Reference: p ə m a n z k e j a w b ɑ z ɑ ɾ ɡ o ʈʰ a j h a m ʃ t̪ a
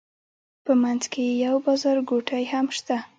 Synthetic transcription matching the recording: p ə m a n z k e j a w b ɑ z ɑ ɾ ɡ o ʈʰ a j h a m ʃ t̪ a